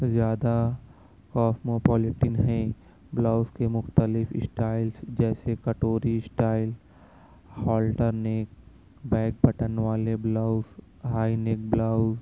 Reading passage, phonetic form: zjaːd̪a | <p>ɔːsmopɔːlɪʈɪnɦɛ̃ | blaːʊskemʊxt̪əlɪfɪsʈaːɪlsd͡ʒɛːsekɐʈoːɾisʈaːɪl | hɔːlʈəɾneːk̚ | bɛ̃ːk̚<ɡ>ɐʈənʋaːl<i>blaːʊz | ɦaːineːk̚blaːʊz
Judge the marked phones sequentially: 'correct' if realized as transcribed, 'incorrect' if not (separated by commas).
incorrect, incorrect, incorrect